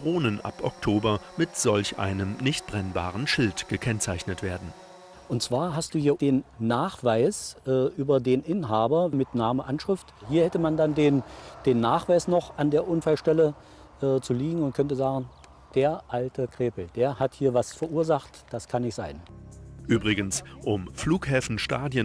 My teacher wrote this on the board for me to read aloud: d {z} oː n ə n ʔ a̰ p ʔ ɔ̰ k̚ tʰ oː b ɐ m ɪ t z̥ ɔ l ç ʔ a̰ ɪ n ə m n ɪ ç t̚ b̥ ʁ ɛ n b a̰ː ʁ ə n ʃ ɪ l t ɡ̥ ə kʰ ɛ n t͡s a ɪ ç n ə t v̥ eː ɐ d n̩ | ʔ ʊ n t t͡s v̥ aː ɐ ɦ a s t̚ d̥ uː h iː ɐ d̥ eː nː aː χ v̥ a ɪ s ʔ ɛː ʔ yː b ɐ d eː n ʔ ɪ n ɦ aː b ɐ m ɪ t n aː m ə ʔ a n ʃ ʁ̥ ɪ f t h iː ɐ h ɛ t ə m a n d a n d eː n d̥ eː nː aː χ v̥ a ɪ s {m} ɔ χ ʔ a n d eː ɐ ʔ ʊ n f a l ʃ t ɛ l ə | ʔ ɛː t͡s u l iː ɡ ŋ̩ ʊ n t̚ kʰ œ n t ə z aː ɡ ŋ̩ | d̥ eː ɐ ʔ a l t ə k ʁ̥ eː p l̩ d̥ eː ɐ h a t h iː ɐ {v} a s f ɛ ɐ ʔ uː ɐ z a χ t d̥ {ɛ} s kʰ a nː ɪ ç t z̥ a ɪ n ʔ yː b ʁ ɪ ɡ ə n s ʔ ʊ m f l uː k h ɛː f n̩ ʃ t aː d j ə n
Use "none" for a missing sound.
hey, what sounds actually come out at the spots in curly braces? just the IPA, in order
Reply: ʁ, n, v, a

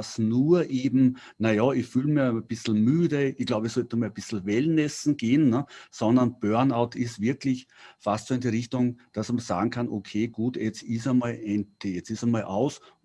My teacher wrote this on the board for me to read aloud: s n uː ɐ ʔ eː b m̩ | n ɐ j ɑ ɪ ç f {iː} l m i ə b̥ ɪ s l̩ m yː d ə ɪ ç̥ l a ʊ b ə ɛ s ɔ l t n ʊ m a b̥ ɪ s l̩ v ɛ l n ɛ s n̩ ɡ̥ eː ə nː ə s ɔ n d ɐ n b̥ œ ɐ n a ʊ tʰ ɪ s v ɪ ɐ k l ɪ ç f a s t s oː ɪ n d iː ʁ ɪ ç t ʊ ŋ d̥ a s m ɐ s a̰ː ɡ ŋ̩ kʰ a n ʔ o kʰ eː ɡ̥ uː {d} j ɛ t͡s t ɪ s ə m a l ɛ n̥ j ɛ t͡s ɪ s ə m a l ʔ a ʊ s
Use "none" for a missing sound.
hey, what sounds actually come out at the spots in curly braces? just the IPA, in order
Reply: yː, t

